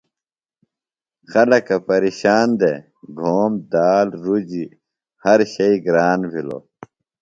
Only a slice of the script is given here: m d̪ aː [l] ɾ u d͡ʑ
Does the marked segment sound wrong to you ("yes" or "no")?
no